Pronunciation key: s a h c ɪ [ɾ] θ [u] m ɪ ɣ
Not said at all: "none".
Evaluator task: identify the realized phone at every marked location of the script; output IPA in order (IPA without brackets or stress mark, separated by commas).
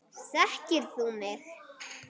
ɾ, u